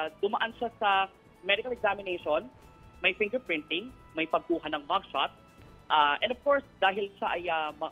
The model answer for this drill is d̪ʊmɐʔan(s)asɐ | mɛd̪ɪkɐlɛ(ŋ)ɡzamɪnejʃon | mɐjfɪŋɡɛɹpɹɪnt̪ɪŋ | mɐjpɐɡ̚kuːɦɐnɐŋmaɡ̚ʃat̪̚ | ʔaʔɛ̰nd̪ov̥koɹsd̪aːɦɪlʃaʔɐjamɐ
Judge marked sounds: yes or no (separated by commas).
no, no